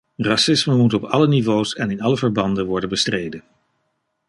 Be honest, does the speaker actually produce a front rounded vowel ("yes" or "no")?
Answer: no